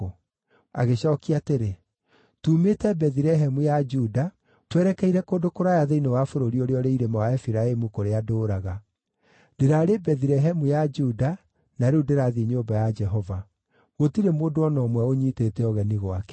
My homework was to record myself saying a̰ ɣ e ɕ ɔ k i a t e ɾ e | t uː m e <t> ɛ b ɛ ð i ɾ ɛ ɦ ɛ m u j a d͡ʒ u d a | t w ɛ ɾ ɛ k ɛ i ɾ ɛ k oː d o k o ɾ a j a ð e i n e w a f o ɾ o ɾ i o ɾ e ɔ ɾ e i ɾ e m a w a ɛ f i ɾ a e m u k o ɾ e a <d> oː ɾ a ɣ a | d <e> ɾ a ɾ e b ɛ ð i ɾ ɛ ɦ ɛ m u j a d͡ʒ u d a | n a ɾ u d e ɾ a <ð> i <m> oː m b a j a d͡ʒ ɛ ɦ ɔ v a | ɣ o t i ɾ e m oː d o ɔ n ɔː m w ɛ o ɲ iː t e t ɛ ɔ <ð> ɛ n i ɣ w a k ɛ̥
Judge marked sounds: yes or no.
yes, yes, yes, yes, no, no

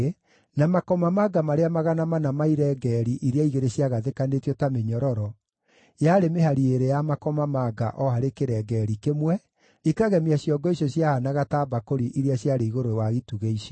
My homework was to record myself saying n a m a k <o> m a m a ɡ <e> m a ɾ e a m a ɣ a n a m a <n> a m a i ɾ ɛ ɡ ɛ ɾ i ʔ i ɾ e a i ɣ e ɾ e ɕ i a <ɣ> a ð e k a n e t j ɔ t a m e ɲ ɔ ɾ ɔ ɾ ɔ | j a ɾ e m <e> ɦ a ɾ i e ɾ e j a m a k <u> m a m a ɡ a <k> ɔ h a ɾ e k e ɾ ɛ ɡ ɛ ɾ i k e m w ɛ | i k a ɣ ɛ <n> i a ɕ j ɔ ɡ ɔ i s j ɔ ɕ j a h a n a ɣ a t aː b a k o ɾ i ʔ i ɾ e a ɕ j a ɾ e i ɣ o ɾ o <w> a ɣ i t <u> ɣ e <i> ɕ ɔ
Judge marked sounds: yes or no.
no, no, yes, yes, yes, no, no, no, yes, yes, yes

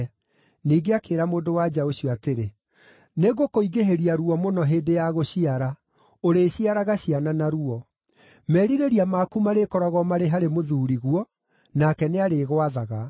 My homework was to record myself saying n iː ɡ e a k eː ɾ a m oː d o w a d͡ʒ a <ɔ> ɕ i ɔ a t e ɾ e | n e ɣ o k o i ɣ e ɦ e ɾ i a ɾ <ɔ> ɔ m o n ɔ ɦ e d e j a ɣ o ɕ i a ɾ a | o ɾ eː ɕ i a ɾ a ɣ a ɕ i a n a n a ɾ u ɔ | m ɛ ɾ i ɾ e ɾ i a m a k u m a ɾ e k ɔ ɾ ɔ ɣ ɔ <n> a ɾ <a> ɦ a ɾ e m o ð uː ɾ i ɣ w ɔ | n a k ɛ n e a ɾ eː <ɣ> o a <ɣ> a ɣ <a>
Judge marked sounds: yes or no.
no, no, no, no, yes, no, yes

